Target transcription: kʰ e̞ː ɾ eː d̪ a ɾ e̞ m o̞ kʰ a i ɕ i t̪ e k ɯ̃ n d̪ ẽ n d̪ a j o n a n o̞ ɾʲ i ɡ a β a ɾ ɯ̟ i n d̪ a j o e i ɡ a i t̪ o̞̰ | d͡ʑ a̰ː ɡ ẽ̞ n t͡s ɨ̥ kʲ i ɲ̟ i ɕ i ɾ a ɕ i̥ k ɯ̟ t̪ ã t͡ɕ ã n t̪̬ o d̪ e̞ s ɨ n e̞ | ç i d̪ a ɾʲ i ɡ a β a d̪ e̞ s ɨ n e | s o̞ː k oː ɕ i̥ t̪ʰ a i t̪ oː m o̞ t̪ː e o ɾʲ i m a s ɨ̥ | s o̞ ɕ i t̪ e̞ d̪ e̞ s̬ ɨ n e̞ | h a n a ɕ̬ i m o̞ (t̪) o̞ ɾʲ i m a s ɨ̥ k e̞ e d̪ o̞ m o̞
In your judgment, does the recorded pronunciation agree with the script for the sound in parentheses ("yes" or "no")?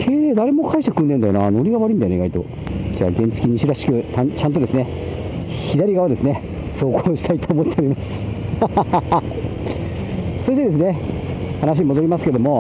no